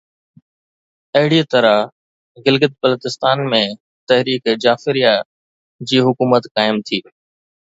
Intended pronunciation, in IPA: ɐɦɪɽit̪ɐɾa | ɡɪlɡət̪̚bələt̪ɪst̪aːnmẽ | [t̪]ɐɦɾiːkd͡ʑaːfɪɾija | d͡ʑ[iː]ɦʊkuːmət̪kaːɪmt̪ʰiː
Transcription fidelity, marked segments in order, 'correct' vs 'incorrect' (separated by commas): correct, correct